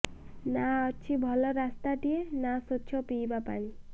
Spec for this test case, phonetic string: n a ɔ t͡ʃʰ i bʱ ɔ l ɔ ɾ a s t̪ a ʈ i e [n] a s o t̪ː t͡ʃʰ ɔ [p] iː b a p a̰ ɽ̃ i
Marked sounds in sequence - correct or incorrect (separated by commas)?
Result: correct, correct